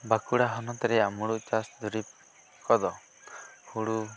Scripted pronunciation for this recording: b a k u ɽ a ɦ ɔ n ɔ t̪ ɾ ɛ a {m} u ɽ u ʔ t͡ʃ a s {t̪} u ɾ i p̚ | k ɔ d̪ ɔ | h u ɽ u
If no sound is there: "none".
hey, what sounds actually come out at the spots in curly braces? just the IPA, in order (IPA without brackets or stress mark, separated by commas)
m, d̪